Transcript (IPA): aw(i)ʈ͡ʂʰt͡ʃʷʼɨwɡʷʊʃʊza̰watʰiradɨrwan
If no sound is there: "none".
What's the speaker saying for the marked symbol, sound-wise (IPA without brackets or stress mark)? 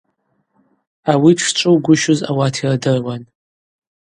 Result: i